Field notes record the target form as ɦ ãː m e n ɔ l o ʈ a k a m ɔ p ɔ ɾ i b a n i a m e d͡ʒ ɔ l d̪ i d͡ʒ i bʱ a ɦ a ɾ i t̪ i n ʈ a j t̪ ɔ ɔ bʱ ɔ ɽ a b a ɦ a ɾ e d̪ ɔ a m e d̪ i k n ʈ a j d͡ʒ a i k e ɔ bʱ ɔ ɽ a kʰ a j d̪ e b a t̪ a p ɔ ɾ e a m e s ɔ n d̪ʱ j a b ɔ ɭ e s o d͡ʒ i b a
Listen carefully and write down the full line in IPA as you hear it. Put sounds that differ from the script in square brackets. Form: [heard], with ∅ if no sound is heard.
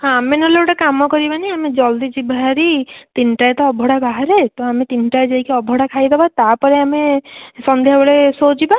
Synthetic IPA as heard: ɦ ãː m e n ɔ l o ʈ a k a m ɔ [k] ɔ ɾ i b a n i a m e d͡ʒ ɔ l d̪ i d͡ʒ i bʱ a ɦ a ɾ i t̪ i n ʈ a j t̪ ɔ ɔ bʱ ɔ ɽ a b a ɦ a ɾ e [t̪] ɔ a m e [t̪] i [∅] n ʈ a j d͡ʒ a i k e ɔ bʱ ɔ ɽ a kʰ a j d̪ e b a t̪ a p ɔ ɾ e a m e s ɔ n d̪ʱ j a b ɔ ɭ e s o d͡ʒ i b a

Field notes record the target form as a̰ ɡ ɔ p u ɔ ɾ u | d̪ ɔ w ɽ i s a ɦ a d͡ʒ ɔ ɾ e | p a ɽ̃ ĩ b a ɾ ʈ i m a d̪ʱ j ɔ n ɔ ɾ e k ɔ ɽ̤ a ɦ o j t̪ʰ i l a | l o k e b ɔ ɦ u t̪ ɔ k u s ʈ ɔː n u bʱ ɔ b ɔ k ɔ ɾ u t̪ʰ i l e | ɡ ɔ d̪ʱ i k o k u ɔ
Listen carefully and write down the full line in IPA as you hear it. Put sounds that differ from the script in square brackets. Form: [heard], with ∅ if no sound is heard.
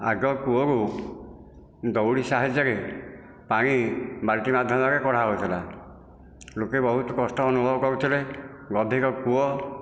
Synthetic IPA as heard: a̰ ɡ ɔ [k] u ɔ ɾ u | d̪ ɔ w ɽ i s a ɦ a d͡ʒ ɔ ɾ e | p a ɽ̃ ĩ b a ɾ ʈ i m a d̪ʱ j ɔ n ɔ ɾ e k ɔ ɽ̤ a ɦ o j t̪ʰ i l a | l o k e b ɔ ɦ u t̪ ɔ k [ɔ] s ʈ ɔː n u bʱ ɔ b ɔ k ɔ ɾ u t̪ʰ i l e | ɡ ɔ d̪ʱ i k [ɔ] k u ɔ

